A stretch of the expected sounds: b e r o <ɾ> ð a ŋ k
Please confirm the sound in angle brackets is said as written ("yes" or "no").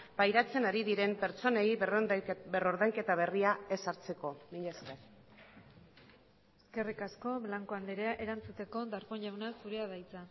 yes